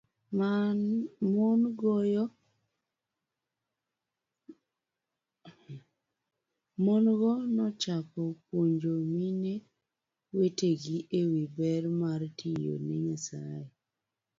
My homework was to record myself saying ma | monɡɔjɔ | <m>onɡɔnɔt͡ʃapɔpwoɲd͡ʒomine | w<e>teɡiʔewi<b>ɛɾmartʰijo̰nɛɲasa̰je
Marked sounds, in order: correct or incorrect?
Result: correct, correct, correct

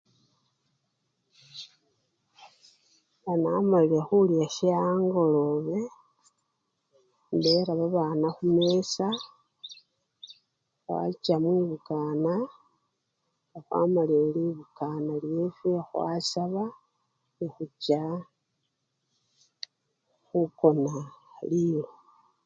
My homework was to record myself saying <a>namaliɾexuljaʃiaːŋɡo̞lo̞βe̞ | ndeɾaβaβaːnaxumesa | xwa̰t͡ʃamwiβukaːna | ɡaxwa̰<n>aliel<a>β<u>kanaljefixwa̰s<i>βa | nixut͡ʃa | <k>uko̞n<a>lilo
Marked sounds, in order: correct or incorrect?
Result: correct, incorrect: m, incorrect: i, correct, incorrect: a, incorrect: x, correct

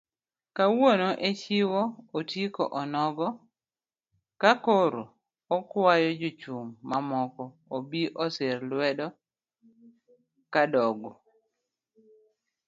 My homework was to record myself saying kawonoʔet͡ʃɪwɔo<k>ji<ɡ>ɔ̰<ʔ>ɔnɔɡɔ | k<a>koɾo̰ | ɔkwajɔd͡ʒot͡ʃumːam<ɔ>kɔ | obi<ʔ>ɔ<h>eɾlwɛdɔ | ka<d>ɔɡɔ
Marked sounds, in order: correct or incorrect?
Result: incorrect: t, incorrect: k, correct, correct, correct, correct, incorrect: s, correct

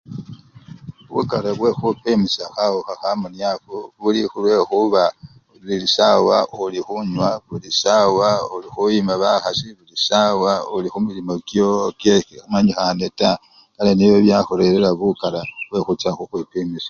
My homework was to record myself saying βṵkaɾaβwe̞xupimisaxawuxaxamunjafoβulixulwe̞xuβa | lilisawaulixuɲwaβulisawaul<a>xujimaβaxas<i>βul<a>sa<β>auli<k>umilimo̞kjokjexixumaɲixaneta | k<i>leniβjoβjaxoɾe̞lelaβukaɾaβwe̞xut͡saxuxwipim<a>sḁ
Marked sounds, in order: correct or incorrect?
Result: incorrect: i, correct, incorrect: i, incorrect: w, incorrect: x, incorrect: a, incorrect: i

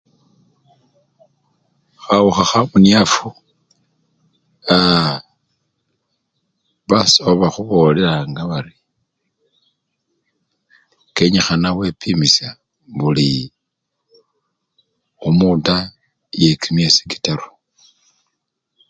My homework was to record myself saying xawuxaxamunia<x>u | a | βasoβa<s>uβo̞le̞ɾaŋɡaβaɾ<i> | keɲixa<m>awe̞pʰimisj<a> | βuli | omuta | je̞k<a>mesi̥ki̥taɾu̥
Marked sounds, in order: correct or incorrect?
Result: incorrect: f, incorrect: x, correct, incorrect: n, correct, incorrect: i

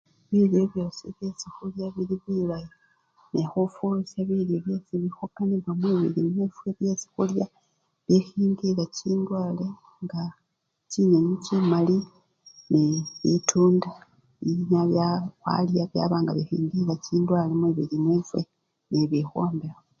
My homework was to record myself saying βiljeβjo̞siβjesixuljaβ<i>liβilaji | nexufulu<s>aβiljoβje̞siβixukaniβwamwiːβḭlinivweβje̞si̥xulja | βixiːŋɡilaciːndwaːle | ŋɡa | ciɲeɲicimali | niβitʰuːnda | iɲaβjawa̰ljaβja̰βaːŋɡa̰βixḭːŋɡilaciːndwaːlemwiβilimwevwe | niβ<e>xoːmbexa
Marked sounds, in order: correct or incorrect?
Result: correct, correct, incorrect: i

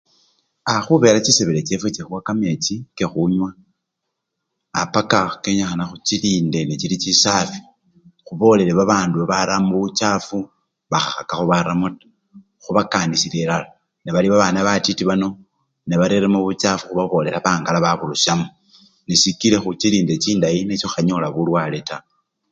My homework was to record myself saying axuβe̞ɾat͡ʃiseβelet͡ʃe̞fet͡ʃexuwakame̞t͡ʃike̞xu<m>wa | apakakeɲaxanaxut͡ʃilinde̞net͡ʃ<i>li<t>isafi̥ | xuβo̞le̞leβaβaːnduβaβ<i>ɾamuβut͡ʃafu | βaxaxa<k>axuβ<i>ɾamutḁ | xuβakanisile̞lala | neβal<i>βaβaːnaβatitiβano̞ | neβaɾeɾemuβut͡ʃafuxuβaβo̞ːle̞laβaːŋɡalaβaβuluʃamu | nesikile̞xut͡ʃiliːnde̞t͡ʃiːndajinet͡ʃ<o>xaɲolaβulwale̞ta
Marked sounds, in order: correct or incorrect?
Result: incorrect: ɲ, correct, incorrect: t͡ʃ, incorrect: a, correct, incorrect: a, correct, correct

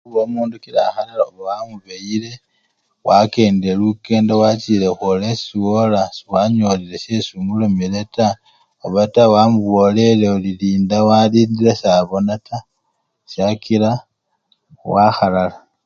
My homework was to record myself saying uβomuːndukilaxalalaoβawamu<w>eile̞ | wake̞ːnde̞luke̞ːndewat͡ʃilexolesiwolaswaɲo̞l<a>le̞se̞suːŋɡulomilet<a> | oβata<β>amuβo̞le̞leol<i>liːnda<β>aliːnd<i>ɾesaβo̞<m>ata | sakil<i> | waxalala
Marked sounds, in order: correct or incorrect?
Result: incorrect: β, incorrect: i, correct, incorrect: w, correct, incorrect: w, correct, incorrect: n, incorrect: a

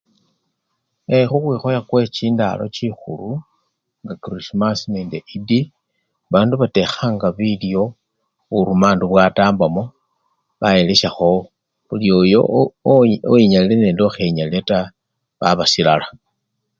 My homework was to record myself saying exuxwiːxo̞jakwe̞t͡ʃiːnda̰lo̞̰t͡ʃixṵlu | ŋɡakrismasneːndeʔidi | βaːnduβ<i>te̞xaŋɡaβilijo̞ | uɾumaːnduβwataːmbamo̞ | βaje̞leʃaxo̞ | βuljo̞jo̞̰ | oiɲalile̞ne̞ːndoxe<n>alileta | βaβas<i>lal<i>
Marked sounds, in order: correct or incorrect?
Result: incorrect: a, incorrect: ɲ, correct, incorrect: a

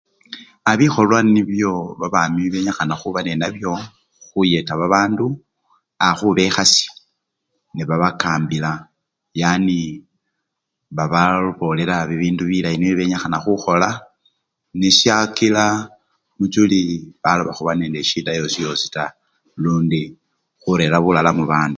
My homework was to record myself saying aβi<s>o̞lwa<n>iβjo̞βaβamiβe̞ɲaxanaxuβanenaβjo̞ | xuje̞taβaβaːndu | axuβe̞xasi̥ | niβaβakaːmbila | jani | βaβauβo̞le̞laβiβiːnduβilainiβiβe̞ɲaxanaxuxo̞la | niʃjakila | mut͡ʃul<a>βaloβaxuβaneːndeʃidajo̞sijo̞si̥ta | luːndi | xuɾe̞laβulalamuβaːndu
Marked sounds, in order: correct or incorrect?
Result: incorrect: x, correct, incorrect: i

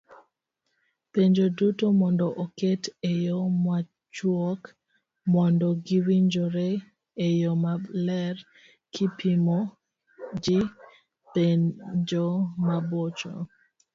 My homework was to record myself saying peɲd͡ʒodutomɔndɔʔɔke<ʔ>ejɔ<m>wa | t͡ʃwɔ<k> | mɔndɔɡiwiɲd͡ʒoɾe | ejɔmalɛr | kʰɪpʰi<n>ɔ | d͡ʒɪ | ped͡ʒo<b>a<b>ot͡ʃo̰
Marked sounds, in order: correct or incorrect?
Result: incorrect: t, correct, correct, incorrect: m, incorrect: m, correct

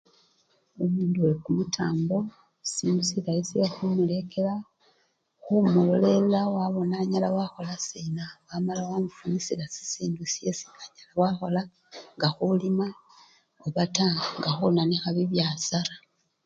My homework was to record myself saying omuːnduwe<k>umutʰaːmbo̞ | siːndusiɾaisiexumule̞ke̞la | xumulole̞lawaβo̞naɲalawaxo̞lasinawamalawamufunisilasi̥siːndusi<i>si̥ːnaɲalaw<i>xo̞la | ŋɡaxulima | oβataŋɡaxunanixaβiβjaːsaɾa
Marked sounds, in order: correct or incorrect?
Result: correct, incorrect: e, incorrect: a

